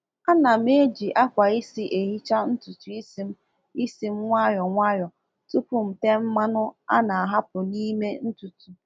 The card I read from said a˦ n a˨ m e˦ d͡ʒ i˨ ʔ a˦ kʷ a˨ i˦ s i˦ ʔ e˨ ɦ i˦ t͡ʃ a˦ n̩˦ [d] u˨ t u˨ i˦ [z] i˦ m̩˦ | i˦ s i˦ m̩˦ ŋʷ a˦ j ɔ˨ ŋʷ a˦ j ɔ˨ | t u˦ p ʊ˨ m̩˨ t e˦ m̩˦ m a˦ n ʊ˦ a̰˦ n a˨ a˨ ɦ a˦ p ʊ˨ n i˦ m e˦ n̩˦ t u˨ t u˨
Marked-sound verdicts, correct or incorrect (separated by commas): incorrect, incorrect